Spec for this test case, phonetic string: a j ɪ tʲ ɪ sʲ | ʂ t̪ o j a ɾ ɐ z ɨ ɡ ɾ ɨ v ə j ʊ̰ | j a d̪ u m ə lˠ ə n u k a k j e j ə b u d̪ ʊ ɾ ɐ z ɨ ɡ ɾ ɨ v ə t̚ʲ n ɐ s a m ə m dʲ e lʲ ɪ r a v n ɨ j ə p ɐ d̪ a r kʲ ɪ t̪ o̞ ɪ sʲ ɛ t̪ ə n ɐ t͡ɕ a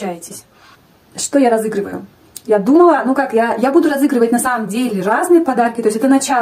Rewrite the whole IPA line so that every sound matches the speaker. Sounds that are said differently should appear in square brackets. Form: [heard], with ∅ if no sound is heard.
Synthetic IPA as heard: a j ɪ tʲ ɪ sʲ | ʂ t̪ o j a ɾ ɐ z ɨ ɡ ɾ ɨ v ə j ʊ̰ | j a d̪ u m ə lˠ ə n u k a k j [a] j [a] b u d̪ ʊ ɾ ɐ z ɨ ɡ ɾ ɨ v ə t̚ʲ n ɐ s a m ə m dʲ e lʲ ɪ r a [z] n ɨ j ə p ɐ d̪ a r kʲ ɪ t̪ o̞ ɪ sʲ ɛ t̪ ə n ɐ t͡ɕ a